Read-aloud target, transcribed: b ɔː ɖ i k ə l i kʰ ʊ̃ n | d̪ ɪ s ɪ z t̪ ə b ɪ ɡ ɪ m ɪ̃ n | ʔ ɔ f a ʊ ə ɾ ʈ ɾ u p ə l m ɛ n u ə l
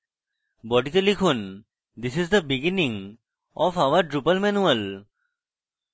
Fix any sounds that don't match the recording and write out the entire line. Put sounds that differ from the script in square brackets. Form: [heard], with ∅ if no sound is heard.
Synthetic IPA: b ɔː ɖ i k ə l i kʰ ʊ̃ n | d̪ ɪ s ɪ z [d̪] ə b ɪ ɡ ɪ [n] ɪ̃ [ŋ] | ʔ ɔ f a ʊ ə ɾ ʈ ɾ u p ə l m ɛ n u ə l